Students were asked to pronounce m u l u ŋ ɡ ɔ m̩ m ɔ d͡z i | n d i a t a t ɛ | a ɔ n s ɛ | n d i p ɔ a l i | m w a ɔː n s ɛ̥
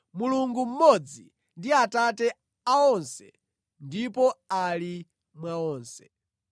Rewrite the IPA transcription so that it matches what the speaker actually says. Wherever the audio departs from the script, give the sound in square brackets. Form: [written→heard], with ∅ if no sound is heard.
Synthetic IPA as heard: m u l u ŋ ɡ [ɔ→u] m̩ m ɔ d͡z i | n d i a t a t ɛ | a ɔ n s ɛ | n d i p ɔ a l i | m w a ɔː n s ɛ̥